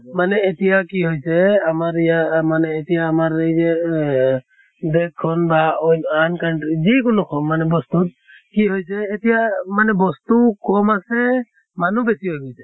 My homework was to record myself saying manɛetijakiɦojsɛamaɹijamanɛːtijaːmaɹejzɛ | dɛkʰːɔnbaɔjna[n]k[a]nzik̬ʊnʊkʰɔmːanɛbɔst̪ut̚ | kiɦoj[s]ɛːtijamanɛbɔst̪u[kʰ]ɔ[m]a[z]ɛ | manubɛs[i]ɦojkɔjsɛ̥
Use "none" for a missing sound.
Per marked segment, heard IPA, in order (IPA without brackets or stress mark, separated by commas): n, a, s, k, m, s, i